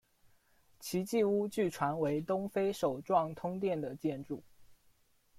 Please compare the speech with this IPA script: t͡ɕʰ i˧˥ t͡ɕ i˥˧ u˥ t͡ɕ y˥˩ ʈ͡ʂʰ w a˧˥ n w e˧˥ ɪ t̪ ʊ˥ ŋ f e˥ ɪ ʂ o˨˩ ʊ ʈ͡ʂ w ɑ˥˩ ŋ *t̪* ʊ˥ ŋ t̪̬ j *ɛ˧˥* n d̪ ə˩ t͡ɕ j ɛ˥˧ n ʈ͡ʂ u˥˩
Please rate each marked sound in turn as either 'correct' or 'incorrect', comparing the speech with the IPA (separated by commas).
incorrect, incorrect